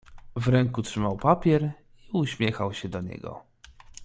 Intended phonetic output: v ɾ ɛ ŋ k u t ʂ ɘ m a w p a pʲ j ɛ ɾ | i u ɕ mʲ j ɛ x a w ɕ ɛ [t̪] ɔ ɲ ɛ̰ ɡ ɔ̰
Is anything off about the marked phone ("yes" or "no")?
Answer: yes